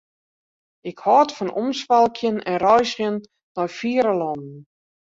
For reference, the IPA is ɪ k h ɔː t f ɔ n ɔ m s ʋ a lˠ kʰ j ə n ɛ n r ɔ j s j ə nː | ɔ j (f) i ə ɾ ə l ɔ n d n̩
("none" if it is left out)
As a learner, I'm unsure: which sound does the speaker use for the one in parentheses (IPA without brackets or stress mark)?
f